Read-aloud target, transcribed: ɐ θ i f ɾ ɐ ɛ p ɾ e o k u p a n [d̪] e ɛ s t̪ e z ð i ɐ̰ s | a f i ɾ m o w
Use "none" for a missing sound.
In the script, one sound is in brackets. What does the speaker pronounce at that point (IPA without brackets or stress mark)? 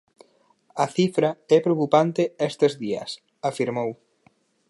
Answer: t̪